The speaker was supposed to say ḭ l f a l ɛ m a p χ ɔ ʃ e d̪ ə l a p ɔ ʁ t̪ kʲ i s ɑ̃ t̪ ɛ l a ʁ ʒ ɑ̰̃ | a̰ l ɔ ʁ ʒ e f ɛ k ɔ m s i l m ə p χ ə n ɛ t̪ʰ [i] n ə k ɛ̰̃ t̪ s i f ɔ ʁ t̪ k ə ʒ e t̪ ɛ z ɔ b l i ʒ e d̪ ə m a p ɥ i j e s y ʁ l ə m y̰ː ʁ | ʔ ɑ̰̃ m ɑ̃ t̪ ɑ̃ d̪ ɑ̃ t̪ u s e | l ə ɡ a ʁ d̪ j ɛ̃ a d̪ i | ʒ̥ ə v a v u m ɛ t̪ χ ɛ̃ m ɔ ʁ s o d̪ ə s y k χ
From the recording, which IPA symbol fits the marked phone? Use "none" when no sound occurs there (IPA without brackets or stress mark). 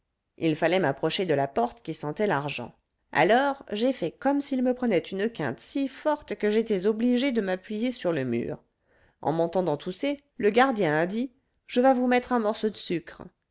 y